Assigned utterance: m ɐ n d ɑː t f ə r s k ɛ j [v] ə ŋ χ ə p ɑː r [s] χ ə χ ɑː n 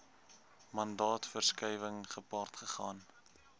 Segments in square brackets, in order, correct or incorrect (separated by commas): correct, incorrect